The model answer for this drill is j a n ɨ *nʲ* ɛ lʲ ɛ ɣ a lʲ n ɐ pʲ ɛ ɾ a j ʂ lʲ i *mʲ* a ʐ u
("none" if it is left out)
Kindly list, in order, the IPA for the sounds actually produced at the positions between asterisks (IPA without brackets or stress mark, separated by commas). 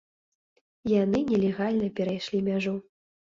nʲ, mʲ